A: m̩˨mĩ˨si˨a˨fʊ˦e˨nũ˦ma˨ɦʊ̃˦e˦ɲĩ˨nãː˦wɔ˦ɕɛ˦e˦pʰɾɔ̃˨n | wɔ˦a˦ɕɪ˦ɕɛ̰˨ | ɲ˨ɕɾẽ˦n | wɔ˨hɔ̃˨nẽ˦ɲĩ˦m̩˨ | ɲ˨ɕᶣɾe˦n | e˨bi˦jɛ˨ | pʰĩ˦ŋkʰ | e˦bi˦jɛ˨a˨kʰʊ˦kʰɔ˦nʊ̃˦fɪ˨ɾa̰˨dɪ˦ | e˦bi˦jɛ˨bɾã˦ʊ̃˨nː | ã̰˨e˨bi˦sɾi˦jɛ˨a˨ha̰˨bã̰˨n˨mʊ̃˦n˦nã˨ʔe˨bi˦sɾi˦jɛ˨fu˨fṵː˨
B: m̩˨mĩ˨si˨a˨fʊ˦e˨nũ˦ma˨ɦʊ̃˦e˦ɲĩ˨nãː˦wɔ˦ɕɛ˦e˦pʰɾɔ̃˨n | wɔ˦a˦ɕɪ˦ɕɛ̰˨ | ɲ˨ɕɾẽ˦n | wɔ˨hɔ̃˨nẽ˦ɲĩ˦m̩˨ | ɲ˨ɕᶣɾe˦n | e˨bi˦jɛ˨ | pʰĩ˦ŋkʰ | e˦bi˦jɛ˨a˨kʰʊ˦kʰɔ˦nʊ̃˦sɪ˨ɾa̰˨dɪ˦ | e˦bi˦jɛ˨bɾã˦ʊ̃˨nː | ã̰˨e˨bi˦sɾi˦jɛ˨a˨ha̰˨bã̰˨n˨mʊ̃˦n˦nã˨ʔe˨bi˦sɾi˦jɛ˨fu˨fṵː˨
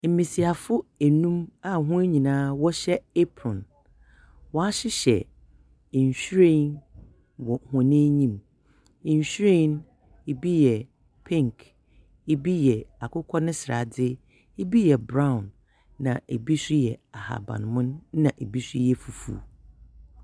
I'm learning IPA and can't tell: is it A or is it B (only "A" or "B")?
B